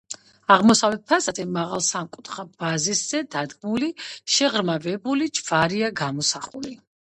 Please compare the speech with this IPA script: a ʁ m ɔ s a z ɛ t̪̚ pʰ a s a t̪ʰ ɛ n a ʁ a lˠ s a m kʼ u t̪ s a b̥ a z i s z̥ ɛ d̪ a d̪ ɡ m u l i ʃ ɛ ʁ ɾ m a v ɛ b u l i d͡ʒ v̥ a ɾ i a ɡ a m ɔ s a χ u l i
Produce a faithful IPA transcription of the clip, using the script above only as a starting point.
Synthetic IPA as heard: a ʁ m ɔ s a v ɛ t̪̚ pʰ a s a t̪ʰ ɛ m a ʁ a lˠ s a m kʼ u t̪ χ a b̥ a z i s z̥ ɛ d̪ a d̪ ɡ m u l i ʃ ɛ ʁ ɾ m a v ɛ b u l i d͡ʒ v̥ a ɾ i a ɡ a m ɔ s a χ u l i